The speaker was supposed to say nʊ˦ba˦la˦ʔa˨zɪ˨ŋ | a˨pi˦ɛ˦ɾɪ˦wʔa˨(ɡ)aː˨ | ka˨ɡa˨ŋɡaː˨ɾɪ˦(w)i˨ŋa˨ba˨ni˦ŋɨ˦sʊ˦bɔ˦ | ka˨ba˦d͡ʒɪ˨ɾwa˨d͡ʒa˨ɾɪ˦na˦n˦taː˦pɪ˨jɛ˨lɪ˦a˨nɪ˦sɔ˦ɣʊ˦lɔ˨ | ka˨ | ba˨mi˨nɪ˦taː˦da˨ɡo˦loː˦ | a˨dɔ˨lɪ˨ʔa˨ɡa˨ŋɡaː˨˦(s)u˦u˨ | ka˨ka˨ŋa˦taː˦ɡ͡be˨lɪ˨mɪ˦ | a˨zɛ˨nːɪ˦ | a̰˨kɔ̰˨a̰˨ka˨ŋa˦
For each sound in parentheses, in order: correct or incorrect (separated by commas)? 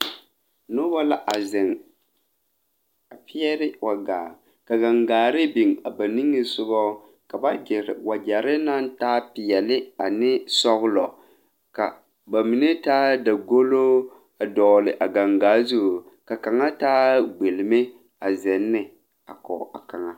correct, incorrect, incorrect